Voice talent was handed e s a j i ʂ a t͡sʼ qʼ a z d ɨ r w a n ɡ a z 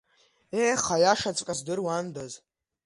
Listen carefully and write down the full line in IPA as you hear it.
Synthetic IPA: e χ a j a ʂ a t͡sʼ kʼ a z d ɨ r w a n d a z